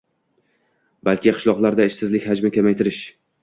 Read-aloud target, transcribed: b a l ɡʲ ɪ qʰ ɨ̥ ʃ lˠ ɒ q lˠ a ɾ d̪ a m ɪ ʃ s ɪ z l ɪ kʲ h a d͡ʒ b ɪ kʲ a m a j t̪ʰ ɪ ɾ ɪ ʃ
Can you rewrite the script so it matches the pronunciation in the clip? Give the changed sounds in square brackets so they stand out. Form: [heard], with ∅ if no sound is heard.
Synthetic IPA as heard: b a l [kʲ] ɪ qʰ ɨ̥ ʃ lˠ ɒ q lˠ a ɾ d̪ a [∅] ɪ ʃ s ɪ z l ɪ kʲ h a d͡ʒ [m] ɪ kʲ a m a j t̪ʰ ɪ ɾ ɪ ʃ

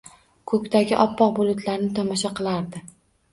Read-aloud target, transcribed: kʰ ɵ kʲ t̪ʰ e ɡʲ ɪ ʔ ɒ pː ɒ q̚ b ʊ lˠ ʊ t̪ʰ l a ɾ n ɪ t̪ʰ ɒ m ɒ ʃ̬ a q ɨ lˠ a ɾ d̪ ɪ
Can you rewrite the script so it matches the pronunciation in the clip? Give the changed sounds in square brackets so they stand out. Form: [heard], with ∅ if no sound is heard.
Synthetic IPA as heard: kʰ ɵ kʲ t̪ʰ [a] ɡʲ ɪ ʔ ɒ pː ɒ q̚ b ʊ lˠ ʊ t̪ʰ l a ɾ n ɪ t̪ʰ ɒ m ɒ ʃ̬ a q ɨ lˠ a ɾ d̪ ɪ

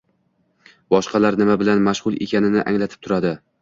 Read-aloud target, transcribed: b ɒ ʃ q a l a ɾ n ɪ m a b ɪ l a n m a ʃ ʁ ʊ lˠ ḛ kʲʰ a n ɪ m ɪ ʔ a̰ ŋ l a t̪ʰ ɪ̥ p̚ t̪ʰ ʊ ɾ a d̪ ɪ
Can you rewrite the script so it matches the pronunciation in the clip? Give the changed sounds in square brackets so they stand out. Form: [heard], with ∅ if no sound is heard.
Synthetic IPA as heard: b ɒ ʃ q [ɑ] l a ɾ n ɪ m a b ɪ l a n m a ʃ ʁ ʊ lˠ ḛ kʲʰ a n ɪ [n] ɪ ʔ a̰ ŋ l a t̪ʰ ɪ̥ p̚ t̪ʰ ʊ ɾ a d̪ ɪ

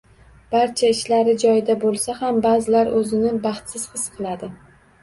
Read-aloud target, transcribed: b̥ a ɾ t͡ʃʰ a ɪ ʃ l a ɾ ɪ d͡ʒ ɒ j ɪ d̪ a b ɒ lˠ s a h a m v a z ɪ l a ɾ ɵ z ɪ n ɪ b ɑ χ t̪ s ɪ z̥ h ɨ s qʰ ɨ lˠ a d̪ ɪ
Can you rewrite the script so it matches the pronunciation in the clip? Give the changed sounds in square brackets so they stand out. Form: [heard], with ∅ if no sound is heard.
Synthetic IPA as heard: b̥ a ɾ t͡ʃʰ a ɪ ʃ l a ɾ ɪ d͡ʒ ɒ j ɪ d̪ a b [o] lˠ s a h a m [b] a z ɪ l a ɾ ɵ z ɪ n ɪ b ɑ χ t̪ s ɪ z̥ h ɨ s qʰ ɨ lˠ a d̪ ɪ

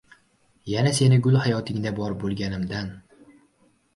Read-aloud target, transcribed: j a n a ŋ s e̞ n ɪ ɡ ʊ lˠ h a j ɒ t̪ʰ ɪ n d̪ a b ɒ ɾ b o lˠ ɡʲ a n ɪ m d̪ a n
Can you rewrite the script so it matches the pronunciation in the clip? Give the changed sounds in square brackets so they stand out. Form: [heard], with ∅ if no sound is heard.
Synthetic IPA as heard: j a n a [∅] s e̞ n ɪ ɡ ʊ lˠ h a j ɒ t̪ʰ ɪ [ŋ] d̪ a b ɒ ɾ b o lˠ ɡʲ a n ɪ m d̪ a n

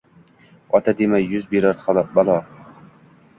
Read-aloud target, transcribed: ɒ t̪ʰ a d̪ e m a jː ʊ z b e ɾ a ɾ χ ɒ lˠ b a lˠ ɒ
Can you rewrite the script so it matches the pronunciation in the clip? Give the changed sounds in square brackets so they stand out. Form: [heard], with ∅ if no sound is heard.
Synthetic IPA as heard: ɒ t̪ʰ a d̪ e m a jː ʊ z b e ɾ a ɾ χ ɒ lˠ b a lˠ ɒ

